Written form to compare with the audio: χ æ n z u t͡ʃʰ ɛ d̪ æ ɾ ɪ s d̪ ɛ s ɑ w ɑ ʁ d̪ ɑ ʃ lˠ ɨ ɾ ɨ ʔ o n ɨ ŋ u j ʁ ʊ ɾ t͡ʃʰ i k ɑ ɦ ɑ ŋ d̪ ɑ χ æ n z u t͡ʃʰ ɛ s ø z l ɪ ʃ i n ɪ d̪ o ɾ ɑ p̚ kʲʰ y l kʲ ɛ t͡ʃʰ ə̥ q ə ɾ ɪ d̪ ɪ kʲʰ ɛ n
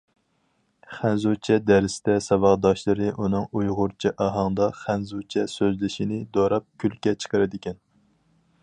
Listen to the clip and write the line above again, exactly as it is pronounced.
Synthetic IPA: χ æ n z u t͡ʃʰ ɛ d̪ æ ɾ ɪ s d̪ ɛ s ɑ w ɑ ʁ d̪ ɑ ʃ lˠ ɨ ɾ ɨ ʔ u n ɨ ŋ u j ʁ ʊ ɾ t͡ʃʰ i ʔ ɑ ɦ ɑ ŋ d̪ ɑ χ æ n z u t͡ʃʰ ɛ s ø z l ɪ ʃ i n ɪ d̪ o ɾ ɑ p̚ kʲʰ y l kʲ ɛ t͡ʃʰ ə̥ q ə ɾ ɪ d̪ ɪ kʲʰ ɛ n